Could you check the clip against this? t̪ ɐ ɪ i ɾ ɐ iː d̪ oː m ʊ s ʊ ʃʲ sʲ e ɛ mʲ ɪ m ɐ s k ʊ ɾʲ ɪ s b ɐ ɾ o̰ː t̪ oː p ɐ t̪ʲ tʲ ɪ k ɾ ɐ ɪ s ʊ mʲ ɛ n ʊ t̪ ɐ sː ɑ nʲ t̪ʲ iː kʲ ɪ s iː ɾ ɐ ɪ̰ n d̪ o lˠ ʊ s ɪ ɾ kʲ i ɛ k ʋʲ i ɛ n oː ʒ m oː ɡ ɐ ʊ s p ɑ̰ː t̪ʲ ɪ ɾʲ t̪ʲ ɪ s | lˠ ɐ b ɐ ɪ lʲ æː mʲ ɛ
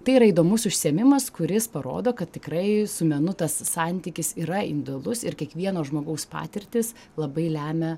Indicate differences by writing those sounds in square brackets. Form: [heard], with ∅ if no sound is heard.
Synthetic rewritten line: t̪ ɐ ɪ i ɾ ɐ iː d̪ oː m ʊ s ʊ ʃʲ sʲ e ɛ mʲ ɪ m ɐ s k ʊ ɾʲ ɪ s [p] ɐ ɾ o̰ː [d̪] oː [k] ɐ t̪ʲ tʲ ɪ k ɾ ɐ ɪ s ʊ mʲ ɛ n ʊ t̪ ɐ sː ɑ nʲ t̪ʲ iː kʲ ɪ s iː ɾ ɐ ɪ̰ n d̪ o lˠ ʊ s ɪ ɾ kʲ i ɛ k ʋʲ i ɛ n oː ʒ m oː ɡ ɐ ʊ s p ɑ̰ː t̪ʲ ɪ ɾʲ t̪ʲ ɪ s | lˠ ɐ b ɐ ɪ lʲ æː mʲ ɛ